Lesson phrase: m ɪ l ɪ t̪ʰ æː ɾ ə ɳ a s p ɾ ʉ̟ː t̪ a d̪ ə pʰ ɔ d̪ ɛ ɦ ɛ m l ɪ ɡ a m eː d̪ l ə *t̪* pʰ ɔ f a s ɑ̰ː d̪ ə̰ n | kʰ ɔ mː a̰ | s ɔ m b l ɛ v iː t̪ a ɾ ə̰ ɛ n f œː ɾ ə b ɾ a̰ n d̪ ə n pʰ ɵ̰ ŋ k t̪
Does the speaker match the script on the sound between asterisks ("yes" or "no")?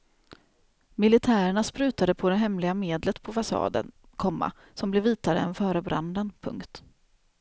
yes